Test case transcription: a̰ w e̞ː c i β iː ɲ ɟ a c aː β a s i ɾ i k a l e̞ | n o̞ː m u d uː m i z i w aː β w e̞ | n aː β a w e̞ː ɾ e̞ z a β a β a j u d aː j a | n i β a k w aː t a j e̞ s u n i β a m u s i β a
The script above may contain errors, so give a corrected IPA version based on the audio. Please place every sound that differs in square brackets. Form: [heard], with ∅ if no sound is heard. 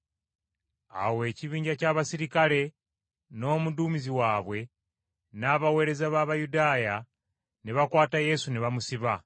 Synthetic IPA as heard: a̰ w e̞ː c i β iː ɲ ɟ a c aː β a s i ɾ i k a l e̞ | n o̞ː m u d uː m i z i w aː β w e̞ | n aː β a w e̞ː ɾ e̞ z a β a β a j u d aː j a | n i β a k w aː t a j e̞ s u n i β a m u s i β a